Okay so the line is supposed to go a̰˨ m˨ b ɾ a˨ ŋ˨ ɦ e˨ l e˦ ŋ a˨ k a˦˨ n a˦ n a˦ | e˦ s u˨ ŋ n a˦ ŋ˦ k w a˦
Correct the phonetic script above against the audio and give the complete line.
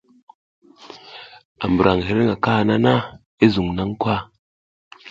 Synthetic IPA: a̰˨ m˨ b ɾ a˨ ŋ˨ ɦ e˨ ɾ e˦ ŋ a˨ k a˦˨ n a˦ n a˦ | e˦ z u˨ ŋ n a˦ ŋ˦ k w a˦